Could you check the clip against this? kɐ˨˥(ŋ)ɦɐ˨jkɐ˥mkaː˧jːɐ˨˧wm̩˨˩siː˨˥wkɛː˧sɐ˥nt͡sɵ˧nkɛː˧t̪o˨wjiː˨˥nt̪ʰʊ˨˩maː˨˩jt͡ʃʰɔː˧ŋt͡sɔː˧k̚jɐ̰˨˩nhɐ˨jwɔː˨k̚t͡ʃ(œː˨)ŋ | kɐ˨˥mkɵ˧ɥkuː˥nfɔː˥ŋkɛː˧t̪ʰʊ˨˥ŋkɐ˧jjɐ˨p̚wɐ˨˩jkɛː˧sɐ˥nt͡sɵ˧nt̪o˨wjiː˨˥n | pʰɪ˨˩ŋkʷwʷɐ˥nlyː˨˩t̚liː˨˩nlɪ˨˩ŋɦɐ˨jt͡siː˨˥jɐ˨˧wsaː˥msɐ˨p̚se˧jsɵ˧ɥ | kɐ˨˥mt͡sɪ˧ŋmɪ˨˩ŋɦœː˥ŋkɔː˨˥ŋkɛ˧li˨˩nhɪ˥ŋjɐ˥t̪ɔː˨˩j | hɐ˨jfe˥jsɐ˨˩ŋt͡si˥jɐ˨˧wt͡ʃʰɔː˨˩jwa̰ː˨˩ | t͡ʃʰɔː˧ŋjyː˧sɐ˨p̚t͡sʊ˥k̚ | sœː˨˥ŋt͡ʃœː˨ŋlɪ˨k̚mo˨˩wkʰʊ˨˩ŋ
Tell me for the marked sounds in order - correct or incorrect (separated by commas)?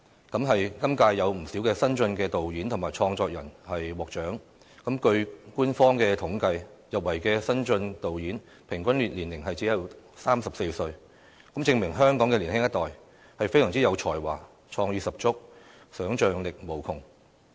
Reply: incorrect, incorrect